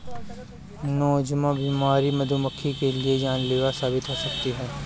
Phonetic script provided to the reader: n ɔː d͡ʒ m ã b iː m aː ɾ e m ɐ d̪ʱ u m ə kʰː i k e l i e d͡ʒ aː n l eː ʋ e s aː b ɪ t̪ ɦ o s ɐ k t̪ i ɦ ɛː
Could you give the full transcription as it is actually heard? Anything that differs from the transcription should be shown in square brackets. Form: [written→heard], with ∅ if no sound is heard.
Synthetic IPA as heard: n ɔː d͡ʒ m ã b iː m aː ɾ [e→i] m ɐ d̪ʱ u m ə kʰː i k e l i e d͡ʒ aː n l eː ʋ [e→a] s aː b ɪ t̪ ɦ o s ɐ k t̪ i ɦ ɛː